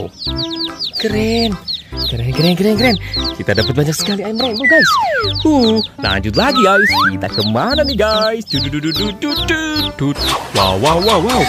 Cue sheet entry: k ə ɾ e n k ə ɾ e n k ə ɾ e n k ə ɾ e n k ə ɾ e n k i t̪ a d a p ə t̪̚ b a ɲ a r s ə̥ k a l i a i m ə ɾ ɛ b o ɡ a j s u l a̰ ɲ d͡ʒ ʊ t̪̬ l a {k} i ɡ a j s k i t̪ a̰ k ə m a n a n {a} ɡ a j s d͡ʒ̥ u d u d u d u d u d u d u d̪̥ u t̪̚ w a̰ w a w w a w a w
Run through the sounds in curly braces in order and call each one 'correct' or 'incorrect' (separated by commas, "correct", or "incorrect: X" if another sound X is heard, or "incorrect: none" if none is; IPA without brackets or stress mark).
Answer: incorrect: ɡ, incorrect: i